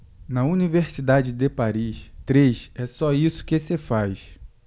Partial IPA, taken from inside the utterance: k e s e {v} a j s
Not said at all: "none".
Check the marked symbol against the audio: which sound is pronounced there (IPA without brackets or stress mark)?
f